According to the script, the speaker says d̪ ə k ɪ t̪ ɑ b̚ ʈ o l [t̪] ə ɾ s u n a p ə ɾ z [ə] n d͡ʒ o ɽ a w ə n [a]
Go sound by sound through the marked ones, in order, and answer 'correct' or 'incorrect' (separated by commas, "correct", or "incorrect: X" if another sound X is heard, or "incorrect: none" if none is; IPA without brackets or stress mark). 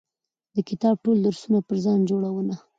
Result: incorrect: d̪, incorrect: ɑ, correct